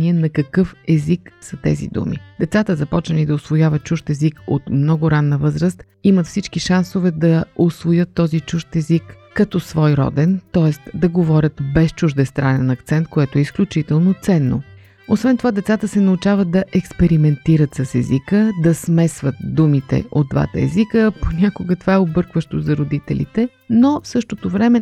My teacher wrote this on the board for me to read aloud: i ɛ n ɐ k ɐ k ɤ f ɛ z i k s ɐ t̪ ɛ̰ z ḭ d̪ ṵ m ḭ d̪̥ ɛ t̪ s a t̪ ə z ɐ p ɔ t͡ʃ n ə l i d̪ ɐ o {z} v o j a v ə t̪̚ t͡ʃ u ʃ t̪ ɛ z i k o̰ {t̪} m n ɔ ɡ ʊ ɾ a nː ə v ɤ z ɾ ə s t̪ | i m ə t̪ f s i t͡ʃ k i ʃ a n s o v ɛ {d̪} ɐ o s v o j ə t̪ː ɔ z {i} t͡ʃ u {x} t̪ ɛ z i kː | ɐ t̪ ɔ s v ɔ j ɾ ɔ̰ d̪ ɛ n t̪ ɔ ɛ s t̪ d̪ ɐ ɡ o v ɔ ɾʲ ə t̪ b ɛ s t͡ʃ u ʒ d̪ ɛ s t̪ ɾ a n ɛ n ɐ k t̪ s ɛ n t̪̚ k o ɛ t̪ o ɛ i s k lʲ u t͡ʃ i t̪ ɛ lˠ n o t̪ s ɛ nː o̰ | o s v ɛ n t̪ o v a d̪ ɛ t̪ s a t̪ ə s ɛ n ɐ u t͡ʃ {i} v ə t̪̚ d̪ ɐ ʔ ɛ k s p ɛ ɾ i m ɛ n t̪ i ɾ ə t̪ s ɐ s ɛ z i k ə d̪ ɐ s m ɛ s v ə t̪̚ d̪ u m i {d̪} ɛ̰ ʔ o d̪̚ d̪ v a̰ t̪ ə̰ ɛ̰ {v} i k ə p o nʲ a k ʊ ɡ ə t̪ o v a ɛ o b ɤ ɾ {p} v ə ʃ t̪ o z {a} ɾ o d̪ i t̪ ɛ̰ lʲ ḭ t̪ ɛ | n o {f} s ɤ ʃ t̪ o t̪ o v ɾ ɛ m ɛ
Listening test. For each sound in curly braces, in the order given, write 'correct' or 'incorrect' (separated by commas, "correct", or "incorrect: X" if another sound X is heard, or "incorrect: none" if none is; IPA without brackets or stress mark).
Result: incorrect: s, correct, correct, correct, incorrect: ʃ, incorrect: a, incorrect: t̪, incorrect: z, incorrect: k, incorrect: ɐ, correct